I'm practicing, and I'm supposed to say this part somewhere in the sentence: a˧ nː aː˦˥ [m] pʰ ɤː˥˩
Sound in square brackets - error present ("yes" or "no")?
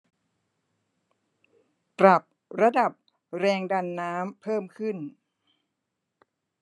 no